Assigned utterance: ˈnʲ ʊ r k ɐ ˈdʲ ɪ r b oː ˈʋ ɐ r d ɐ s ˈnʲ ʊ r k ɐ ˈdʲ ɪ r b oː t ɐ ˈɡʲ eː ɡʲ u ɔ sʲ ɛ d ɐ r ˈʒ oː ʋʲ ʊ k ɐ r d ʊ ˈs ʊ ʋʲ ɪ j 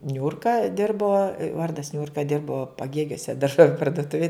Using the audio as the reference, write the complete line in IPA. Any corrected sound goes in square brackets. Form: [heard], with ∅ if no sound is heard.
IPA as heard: ˈnʲ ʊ r k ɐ ˈdʲ ɪ r b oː ˈʋ ɐ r d ɐ s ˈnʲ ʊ r k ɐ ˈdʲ ɪ r b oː [p] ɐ ˈɡʲ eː ɡʲ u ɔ sʲ ɛ d ɐ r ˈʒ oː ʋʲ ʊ [p] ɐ r d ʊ [ˈt] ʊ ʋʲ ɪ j